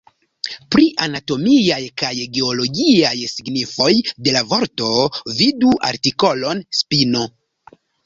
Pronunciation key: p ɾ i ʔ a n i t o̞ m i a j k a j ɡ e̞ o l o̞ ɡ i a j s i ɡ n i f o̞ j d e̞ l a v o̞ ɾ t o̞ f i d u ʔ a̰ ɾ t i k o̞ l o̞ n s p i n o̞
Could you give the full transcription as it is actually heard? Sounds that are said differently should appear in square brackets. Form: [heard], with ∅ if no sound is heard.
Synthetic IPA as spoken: p ɾ i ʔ a n [a] t o̞ m i a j k a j ɡ e̞ o l o̞ ɡ i a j s i ɡ n i f o̞ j d e̞ l a v o̞ ɾ t o̞ [v] i d u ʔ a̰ ɾ t i k o̞ l o̞ n s p i n o̞